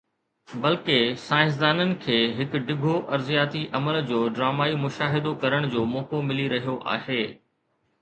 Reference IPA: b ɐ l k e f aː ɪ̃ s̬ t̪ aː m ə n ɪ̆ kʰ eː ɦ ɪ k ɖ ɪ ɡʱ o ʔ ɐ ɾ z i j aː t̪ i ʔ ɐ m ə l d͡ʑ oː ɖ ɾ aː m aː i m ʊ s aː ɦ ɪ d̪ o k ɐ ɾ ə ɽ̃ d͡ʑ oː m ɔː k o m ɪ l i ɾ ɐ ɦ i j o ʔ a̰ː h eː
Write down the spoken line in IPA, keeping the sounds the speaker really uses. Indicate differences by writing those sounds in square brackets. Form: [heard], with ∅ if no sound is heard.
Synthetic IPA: b ɐ l k e [s] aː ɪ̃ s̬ [d̪] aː [n] ə n ɪ̆ kʰ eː ɦ ɪ k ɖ ɪ ɡʱ o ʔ ɐ ɾ z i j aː t̪ i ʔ ɐ m ə l d͡ʑ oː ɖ ɾ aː m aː i m ʊ [ʃ] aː ɦ ɪ d̪ o k ɐ ɾ ə ɽ̃ d͡ʑ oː m ɔː k o m ɪ l i ɾ ɐ ɦ i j o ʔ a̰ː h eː